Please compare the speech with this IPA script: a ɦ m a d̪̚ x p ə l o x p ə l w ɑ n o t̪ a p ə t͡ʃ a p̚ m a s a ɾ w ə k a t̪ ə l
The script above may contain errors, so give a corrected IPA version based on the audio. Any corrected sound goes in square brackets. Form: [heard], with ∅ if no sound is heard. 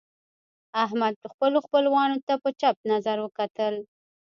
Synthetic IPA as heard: a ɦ m a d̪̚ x p ə l o x p ə l w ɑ n o t̪ a p ə t͡ʃ a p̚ [n] a [z] a ɾ w ə k a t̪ ə l